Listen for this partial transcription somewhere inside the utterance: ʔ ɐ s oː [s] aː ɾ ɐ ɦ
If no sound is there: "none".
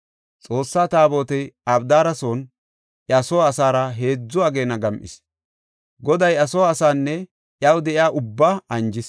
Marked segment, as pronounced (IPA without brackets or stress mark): s